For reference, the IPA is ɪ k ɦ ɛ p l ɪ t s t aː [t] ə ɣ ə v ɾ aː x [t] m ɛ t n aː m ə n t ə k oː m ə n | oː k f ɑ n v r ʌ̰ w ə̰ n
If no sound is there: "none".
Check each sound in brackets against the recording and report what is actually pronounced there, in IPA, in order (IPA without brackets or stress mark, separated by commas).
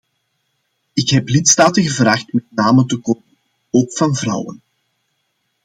t, t